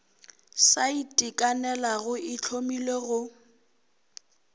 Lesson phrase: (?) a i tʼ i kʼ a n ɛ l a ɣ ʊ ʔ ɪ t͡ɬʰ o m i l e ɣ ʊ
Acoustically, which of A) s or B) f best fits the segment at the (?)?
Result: A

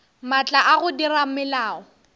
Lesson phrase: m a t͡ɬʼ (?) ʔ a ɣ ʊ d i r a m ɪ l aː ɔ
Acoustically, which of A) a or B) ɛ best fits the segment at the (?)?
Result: A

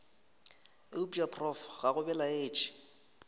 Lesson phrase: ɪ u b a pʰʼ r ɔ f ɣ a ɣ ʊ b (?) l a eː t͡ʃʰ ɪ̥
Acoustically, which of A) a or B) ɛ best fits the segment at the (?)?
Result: B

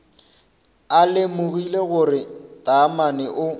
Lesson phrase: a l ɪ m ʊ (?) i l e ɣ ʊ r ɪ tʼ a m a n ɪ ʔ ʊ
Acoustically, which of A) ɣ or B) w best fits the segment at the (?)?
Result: A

